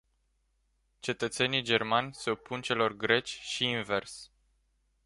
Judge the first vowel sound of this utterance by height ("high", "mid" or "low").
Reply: mid